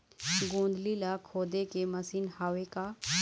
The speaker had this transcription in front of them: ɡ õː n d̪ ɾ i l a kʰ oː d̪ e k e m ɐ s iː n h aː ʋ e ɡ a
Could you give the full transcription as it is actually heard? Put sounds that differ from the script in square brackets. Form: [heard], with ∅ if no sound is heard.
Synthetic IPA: ɡ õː n d̪ [l] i l a kʰ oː d̪ e k e m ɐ s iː n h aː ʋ e [k] a